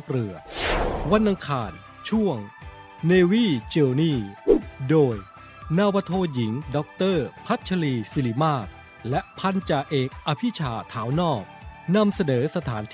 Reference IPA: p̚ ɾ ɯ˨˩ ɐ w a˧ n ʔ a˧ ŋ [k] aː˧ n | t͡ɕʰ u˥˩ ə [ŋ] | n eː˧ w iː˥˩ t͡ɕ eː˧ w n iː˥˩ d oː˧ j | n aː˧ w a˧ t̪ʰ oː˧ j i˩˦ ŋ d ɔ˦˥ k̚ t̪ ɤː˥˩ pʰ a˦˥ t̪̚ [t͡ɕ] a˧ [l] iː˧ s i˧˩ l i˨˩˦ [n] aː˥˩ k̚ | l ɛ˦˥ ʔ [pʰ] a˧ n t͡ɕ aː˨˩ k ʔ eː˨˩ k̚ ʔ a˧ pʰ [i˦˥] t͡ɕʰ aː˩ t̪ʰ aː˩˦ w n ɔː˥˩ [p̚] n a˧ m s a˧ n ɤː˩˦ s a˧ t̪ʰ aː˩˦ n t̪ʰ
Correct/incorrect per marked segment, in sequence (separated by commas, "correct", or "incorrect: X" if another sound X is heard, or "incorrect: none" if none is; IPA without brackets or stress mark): incorrect: kʰ, correct, incorrect: t͡ɕʰ, correct, incorrect: m, correct, correct, incorrect: k̚